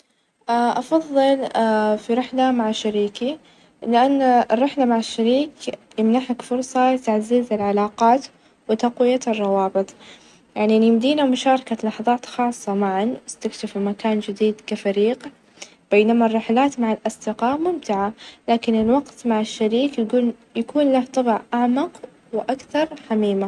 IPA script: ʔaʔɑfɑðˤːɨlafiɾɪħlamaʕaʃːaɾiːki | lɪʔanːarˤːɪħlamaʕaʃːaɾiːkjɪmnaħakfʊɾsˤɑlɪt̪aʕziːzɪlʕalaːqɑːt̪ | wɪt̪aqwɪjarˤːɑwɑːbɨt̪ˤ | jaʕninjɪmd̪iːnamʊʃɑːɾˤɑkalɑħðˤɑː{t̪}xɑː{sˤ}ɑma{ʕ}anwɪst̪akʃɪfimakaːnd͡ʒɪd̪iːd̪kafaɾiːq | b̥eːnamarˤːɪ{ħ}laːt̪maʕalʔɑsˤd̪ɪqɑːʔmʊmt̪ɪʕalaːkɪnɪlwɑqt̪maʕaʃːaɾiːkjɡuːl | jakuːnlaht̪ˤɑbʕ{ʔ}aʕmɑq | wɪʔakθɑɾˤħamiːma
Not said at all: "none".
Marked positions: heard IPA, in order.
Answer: t̪, sˤː, ʕ, ħ, ʔ

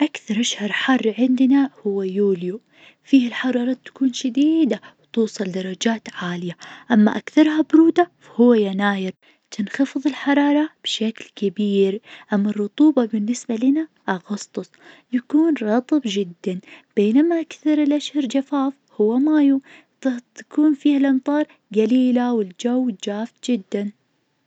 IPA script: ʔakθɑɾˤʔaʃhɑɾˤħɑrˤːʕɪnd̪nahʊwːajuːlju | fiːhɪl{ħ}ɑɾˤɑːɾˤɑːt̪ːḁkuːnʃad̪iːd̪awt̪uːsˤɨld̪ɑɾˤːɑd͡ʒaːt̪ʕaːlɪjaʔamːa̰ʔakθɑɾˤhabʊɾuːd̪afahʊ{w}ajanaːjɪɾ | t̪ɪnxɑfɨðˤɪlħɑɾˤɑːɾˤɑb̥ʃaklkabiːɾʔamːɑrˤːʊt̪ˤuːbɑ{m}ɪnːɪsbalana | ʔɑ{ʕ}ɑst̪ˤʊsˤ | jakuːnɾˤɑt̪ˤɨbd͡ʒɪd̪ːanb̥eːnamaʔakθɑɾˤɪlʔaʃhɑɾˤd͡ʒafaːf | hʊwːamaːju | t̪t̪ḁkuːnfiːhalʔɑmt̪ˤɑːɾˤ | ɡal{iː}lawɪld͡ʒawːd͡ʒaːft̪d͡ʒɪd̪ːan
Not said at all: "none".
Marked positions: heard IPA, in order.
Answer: ħ, wː, b, ɣ, iː

